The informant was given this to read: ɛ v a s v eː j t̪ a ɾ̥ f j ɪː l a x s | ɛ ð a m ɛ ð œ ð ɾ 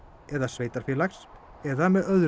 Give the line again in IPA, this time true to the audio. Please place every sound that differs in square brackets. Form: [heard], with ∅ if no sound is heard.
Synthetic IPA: ɛ [ð] a s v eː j t̪ a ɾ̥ f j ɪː l a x s | ɛ ð a m ɛ ð œ ð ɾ